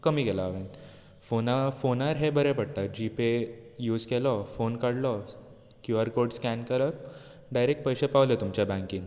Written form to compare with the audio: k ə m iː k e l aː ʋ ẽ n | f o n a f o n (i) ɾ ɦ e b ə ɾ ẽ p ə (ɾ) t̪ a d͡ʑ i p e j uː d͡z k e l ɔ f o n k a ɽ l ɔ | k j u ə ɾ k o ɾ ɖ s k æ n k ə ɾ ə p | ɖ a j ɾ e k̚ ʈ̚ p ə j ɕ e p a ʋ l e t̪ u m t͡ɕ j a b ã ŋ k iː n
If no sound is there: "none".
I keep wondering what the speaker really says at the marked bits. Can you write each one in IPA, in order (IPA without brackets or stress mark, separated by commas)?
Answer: a, ɽ